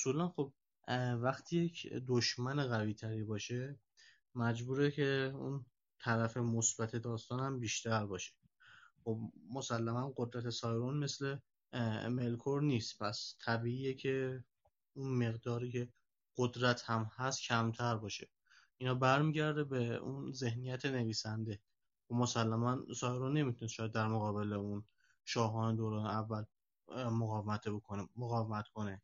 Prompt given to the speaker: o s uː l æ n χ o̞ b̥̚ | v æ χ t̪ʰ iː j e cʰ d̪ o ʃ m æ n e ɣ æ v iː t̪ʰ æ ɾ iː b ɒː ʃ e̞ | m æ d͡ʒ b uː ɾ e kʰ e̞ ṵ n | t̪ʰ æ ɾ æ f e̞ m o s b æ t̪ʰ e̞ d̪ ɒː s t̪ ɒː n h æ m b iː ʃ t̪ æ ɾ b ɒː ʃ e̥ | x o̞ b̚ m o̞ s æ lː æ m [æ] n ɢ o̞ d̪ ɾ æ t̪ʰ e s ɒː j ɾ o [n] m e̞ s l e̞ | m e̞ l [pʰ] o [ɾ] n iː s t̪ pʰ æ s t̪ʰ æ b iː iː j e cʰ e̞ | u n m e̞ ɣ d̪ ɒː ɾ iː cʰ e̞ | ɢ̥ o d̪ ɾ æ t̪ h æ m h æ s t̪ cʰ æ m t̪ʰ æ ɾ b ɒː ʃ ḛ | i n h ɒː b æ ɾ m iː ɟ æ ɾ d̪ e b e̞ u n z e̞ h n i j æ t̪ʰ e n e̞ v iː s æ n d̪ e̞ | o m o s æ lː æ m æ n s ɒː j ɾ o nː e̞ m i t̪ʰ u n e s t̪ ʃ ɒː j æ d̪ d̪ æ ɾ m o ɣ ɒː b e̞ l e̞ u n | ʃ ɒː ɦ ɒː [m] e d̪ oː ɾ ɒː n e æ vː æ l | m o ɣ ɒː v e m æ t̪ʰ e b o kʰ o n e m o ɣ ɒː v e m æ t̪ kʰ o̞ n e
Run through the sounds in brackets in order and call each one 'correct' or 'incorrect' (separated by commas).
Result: correct, correct, incorrect, correct, incorrect